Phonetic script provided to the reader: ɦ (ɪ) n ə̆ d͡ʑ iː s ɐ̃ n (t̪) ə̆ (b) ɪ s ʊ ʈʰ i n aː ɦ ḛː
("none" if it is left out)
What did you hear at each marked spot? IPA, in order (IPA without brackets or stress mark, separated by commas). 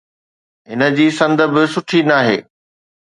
ɪ, d̪, b